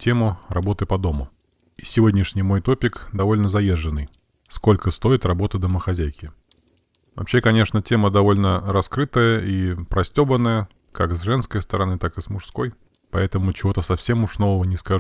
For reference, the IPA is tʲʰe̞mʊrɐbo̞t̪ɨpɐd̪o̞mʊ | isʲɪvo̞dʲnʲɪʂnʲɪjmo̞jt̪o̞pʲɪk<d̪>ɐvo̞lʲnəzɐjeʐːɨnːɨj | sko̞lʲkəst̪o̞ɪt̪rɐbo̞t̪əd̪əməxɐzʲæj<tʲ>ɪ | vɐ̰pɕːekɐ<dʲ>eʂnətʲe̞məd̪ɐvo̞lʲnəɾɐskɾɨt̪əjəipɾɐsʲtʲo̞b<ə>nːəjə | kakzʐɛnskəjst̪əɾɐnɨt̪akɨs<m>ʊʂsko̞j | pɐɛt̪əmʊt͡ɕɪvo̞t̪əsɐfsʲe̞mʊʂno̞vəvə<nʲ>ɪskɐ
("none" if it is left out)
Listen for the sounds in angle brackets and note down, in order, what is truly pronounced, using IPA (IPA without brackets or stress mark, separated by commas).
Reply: d̪, kʲ, nʲ, ə, m, nʲ